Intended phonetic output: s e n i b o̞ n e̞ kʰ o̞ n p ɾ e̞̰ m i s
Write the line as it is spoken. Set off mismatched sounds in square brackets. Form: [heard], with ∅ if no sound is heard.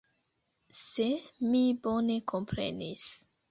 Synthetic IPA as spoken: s e [m] i b o̞ n e̞ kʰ o̞ [m] p ɾ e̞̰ [n] i s